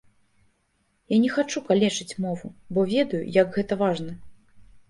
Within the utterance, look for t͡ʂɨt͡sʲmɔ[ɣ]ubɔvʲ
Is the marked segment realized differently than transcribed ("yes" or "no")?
yes